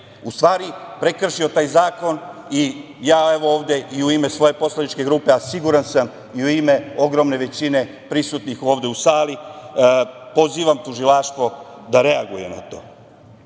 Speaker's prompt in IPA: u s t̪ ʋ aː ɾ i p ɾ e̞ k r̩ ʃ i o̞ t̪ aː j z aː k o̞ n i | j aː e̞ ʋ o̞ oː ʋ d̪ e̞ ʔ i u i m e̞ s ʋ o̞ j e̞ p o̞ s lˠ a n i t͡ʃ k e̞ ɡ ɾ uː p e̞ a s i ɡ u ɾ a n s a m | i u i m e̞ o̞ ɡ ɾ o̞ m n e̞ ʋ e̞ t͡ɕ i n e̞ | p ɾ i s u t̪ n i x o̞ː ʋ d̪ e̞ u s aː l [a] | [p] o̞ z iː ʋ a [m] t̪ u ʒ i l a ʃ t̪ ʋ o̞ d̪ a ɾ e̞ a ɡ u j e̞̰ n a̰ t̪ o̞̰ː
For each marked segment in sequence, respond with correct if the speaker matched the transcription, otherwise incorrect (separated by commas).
incorrect, correct, correct